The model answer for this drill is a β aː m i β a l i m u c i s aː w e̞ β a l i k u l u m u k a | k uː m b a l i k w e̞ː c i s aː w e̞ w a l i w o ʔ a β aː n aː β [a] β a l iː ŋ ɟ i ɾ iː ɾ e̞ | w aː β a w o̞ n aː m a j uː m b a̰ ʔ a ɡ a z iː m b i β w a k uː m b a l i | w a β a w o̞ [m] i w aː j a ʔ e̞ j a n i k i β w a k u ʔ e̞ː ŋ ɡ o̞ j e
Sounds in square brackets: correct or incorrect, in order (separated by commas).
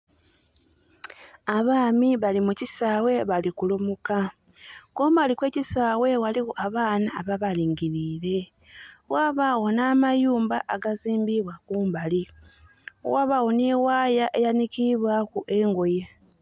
correct, incorrect